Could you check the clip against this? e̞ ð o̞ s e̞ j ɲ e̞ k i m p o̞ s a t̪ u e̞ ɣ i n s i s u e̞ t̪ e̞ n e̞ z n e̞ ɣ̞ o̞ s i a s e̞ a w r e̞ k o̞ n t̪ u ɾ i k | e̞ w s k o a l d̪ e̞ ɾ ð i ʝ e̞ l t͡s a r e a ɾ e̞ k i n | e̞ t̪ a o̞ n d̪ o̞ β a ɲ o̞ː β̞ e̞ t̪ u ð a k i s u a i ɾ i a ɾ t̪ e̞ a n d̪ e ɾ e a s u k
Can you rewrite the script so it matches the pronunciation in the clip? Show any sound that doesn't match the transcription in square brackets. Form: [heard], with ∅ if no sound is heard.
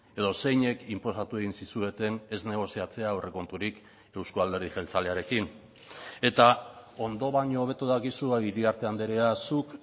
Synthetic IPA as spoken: e̞ ð o̞ s e̞ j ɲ e̞ k i m p o̞ s a t̪ u e̞ ɣ i n s i s u e̞ t̪ e̞ n e̞ z n e̞ ɣ̞ o̞ s i a [t͡s] e̞ a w r e̞ k o̞ n t̪ u ɾ i k | e̞ w s k o a l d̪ e̞ ɾ ð i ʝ e̞ l t͡s a [l] e a ɾ e̞ k i n | e̞ t̪ a o̞ n d̪ o̞ β a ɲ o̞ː β̞ e̞ t̪ u ð a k i s u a i ɾ i a ɾ t̪ e̞ a n d̪ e ɾ e a s u k

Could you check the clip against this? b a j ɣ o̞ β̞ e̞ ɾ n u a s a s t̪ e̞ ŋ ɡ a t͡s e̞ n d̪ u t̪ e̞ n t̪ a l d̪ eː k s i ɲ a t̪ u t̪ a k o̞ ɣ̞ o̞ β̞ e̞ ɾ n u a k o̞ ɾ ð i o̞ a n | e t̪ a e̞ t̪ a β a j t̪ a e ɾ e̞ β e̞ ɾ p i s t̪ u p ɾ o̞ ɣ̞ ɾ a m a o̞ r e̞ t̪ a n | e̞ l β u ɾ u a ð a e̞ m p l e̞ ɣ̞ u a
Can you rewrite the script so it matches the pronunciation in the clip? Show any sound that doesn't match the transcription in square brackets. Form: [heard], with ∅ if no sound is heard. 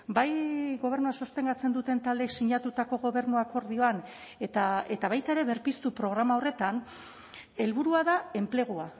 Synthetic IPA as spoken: b a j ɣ o̞ β̞ e̞ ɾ n u a s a s t̪ e̞ ŋ ɡ a t͡s e̞ n d̪ u t̪ e̞ n t̪ a l d̪ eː k s i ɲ a t̪ u t̪ a k o̞ ɣ̞ o̞ β̞ e̞ ɾ n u a k o̞ ɾ ð i o̞ a n | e t̪ a e̞ t̪ a β a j t̪ a e ɾ e̞ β e̞ ɾ p i s t̪ u p ɾ o̞ ɣ̞ ɾ a m a o̞ r e̞ t̪ a n | e̞ l β u ɾ u a ð a e̞ m p l e̞ ɣ̞ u a

